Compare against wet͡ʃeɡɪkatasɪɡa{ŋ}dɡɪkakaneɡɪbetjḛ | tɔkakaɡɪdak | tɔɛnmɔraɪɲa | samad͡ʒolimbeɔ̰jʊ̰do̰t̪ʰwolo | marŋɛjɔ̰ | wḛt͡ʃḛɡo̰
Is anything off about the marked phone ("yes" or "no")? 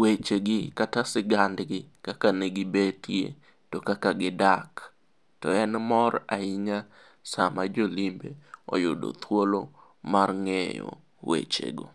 yes